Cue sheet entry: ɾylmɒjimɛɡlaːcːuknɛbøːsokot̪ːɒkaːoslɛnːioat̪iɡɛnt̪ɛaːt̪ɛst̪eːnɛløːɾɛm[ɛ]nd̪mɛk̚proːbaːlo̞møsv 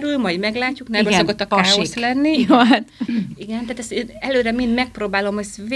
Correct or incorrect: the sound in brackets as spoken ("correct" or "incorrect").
incorrect